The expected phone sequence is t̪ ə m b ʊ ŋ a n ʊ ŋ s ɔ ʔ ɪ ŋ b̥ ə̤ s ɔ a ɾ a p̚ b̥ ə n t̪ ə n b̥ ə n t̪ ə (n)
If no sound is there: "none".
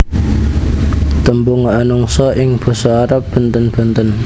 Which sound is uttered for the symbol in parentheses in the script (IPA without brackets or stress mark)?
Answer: n